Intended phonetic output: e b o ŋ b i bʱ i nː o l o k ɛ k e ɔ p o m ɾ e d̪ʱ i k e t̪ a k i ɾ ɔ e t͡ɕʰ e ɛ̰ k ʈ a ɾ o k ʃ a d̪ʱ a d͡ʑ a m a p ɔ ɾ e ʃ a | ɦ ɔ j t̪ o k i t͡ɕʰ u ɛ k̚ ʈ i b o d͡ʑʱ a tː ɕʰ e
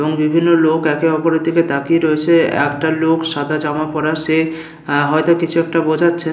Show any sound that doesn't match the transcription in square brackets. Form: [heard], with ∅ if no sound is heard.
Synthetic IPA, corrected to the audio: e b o ŋ b i bʱ i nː o l o k ɛ k e ɔ p o [∅] ɾ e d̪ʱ i k e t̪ a k i ɾ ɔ e t͡ɕʰ e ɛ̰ k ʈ a [l] o k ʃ a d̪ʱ a d͡ʑ a m a p ɔ ɾ [a] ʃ [e] | ɦ ɔ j t̪ o k i t͡ɕʰ u ɛ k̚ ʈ [a] b o d͡ʑʱ a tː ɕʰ e